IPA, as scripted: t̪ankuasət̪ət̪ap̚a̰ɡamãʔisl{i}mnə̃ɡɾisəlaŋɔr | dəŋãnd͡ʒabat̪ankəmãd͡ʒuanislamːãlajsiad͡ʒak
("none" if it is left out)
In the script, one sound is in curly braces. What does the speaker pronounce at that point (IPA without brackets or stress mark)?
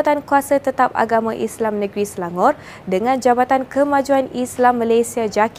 a